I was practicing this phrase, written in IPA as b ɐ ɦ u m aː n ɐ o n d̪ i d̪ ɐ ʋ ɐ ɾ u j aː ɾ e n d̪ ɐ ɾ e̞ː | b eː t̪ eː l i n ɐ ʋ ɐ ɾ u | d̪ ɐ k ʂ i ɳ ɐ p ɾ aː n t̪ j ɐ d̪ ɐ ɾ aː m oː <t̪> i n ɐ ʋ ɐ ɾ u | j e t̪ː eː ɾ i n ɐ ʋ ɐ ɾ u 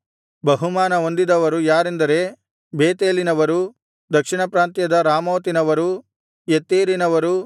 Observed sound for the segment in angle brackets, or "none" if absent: t̪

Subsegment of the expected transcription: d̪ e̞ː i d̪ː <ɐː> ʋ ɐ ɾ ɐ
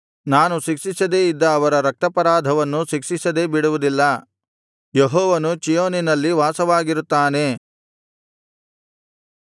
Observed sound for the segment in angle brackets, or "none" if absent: ɐː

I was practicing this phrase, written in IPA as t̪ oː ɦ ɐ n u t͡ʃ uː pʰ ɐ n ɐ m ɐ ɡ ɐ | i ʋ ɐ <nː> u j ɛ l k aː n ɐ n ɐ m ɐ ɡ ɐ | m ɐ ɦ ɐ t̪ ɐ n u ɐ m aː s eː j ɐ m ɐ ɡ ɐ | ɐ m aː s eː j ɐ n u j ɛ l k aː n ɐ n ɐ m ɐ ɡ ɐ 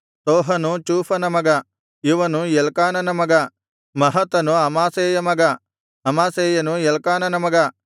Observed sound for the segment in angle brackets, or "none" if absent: n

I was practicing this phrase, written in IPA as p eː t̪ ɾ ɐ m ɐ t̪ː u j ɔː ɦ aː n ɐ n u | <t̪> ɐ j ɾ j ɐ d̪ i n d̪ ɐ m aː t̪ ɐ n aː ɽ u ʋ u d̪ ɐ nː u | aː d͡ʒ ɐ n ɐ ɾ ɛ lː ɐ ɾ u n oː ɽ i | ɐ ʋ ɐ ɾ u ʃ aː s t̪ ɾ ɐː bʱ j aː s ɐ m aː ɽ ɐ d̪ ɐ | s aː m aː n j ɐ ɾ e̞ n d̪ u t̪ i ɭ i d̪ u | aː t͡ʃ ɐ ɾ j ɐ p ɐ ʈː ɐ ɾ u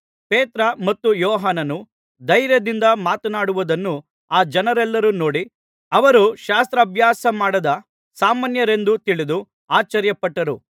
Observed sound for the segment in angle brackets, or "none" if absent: d̪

